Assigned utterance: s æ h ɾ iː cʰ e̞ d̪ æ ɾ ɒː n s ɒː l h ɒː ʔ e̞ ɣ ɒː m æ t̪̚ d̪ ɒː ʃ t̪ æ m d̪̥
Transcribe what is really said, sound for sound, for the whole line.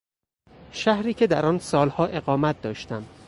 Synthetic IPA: ʃ æ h ɾ iː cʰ e̞ d̪ æ ɾ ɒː n s ɒː l h ɒː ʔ e̞ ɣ ɒː m æ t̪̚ d̪ ɒː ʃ t̪ æ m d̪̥